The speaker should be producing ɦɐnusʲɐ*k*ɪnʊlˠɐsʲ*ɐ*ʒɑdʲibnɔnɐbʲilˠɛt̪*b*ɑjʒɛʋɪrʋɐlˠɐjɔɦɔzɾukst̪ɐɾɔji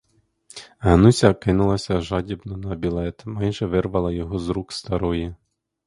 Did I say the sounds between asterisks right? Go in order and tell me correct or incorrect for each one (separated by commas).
correct, correct, incorrect